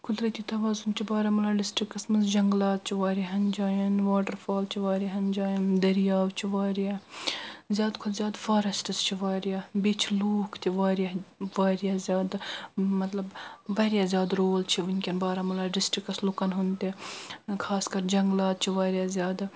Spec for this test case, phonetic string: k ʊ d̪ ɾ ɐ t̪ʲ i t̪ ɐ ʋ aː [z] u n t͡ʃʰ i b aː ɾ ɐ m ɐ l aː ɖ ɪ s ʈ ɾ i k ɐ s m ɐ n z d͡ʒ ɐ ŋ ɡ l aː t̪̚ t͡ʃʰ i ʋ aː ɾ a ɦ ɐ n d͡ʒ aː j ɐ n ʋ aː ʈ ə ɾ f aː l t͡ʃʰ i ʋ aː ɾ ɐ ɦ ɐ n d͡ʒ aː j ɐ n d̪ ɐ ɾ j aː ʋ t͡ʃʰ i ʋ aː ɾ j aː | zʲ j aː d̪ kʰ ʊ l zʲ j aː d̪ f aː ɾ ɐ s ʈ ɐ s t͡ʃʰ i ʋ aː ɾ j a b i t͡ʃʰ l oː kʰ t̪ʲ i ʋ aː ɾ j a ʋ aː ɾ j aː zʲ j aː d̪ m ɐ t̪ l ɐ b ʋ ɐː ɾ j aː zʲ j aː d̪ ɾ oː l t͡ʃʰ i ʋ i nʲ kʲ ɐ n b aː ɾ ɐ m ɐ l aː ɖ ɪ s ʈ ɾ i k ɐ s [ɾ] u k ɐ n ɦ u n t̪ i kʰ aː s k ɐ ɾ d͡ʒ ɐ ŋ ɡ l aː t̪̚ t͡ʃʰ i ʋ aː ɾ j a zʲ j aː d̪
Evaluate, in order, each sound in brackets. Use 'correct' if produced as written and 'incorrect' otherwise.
correct, incorrect: l

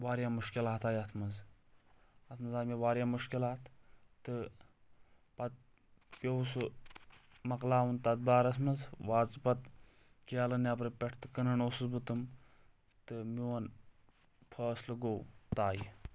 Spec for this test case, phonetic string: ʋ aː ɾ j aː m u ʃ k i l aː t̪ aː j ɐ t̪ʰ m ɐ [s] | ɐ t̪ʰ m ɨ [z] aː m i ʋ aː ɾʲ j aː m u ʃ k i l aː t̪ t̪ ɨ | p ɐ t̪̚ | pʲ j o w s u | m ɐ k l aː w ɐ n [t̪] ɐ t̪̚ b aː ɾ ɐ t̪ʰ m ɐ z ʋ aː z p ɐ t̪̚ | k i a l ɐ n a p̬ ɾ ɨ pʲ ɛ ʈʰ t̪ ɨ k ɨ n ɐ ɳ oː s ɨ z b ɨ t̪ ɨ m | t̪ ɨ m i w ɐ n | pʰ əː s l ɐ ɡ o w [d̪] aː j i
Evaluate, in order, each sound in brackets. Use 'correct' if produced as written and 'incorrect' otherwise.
incorrect: z, correct, correct, incorrect: t̪

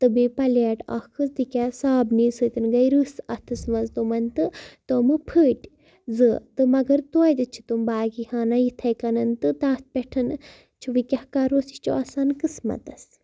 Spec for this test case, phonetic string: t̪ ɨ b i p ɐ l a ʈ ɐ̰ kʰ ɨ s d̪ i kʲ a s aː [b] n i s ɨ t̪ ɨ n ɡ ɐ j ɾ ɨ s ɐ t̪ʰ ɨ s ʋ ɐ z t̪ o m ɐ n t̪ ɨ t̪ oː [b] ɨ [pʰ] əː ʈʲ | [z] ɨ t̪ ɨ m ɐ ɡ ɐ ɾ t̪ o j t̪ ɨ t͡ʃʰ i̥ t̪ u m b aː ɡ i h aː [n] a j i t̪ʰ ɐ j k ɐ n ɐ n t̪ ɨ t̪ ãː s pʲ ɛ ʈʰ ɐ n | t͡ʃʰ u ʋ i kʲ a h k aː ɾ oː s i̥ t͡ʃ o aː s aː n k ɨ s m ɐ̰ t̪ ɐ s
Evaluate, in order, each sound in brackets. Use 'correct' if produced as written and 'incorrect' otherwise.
correct, incorrect: m, correct, correct, correct

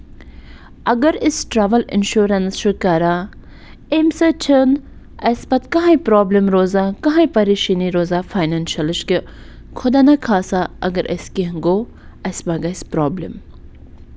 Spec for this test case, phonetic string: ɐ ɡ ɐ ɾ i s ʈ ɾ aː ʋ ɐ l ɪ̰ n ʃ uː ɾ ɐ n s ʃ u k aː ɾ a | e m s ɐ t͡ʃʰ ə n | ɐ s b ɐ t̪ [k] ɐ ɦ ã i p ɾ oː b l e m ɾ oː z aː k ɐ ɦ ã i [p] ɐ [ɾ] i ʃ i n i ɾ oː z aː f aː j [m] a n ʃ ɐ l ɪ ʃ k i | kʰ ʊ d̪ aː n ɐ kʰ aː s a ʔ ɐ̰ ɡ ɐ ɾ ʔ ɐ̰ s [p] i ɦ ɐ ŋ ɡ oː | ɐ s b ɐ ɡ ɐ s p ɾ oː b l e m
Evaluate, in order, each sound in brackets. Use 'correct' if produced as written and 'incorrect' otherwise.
correct, correct, correct, incorrect: n, incorrect: k

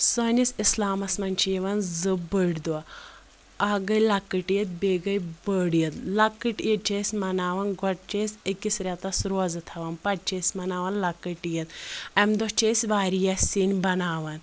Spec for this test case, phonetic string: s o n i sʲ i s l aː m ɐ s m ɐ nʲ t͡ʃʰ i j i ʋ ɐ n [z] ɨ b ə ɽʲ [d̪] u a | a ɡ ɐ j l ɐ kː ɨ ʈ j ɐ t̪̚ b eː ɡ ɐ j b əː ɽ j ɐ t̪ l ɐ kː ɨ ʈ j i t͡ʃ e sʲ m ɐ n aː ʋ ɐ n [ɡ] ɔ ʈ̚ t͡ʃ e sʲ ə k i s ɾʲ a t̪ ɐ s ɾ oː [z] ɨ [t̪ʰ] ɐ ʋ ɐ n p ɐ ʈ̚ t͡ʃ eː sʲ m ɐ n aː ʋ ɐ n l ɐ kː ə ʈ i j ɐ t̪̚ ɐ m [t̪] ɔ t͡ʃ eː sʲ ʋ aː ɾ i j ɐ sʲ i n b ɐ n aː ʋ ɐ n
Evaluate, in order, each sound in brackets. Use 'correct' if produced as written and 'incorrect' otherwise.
correct, correct, correct, correct, correct, incorrect: d̪

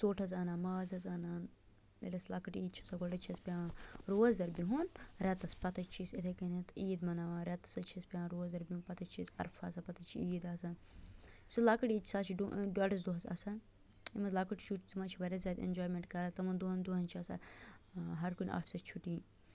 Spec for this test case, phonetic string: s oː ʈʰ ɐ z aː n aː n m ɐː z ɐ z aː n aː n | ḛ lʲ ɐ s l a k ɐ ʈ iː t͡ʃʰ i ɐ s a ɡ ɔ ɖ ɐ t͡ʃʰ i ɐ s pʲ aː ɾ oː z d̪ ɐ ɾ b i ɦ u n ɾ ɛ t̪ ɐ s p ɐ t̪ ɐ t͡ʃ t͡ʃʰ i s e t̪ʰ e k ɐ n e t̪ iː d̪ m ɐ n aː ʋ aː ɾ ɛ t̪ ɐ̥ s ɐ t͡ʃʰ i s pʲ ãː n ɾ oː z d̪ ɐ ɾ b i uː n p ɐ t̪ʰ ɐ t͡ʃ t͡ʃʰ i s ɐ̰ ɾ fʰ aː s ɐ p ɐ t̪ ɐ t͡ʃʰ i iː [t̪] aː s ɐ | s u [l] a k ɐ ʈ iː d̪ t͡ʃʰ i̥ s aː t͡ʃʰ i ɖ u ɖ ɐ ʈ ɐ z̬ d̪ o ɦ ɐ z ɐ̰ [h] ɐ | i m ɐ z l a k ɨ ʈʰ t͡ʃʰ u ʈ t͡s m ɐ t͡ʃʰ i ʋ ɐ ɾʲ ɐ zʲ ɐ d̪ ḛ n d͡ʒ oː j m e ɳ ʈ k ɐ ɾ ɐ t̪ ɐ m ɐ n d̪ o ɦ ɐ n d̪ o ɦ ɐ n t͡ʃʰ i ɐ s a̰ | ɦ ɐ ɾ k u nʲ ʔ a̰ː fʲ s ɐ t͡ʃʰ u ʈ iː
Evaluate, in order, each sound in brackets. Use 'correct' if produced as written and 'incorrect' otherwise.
incorrect: d̪, correct, incorrect: s

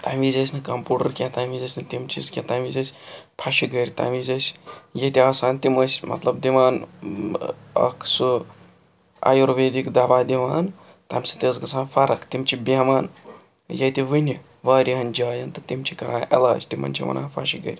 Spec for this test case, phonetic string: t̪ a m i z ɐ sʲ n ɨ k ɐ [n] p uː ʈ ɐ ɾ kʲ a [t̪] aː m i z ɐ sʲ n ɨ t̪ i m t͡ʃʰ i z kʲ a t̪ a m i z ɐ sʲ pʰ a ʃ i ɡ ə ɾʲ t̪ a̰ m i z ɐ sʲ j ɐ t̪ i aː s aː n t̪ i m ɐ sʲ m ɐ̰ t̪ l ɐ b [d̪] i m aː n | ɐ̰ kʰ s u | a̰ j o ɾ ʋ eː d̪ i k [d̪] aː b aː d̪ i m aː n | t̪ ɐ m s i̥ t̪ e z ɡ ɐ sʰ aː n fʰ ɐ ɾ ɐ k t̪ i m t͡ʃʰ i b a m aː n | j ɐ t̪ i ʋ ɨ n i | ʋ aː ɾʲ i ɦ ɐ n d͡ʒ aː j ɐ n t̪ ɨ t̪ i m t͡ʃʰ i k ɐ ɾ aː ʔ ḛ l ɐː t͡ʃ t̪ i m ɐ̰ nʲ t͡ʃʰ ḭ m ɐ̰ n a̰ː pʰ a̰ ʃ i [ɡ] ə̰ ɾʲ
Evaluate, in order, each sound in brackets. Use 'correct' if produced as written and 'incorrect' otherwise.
incorrect: m, correct, correct, correct, correct

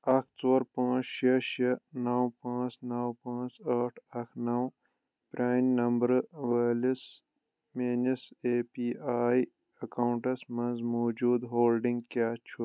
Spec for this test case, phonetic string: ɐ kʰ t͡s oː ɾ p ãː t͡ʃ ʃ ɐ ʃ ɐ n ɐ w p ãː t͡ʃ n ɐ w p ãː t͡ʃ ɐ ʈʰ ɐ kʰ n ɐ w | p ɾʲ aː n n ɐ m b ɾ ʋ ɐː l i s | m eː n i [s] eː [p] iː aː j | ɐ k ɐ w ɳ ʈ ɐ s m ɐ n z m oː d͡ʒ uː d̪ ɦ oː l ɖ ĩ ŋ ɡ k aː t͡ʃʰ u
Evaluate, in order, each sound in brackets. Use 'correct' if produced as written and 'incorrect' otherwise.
correct, correct

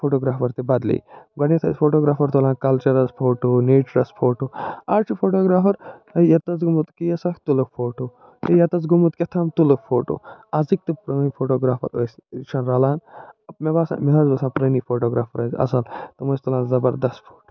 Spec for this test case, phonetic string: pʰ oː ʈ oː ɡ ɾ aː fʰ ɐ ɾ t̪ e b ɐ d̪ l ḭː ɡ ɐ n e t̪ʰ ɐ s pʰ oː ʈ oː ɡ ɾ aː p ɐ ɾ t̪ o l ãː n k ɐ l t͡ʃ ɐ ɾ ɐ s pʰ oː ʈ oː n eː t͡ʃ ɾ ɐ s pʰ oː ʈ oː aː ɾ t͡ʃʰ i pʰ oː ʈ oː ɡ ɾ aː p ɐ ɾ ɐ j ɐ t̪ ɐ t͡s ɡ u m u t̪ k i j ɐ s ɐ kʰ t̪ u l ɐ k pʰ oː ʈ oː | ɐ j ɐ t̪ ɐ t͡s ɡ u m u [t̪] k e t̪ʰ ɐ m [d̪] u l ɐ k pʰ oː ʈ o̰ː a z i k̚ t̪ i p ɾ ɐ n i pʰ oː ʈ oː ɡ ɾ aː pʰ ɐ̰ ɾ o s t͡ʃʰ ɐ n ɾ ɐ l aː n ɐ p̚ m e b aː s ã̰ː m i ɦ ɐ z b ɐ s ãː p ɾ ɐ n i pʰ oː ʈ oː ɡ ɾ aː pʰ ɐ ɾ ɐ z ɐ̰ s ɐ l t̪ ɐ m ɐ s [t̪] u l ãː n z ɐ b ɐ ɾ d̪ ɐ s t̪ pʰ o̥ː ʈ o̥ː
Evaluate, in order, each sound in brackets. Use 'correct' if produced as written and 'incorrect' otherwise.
correct, incorrect: t̪, correct

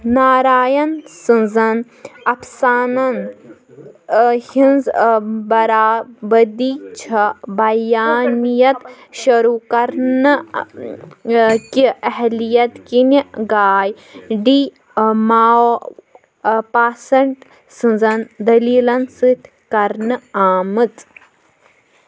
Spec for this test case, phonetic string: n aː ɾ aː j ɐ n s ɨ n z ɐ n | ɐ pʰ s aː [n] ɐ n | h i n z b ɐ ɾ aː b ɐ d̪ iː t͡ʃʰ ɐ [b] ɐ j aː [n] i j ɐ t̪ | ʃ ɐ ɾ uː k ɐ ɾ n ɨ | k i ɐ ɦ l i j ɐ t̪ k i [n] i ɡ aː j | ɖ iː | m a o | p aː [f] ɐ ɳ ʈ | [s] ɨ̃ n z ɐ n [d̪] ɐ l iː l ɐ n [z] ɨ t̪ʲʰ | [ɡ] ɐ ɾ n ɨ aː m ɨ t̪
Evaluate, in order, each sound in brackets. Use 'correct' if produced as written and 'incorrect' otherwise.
correct, correct, correct, correct, incorrect: s, correct, correct, incorrect: s, incorrect: k

